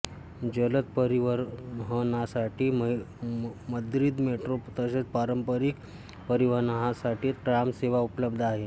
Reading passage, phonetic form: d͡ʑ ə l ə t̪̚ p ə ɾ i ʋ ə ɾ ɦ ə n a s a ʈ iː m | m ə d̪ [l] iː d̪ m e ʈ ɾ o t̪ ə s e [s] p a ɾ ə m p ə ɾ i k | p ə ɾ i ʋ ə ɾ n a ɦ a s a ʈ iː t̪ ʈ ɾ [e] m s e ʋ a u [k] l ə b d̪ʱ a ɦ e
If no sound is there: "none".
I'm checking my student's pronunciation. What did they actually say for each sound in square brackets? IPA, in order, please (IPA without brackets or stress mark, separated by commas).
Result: ɾ, t͡s, a, p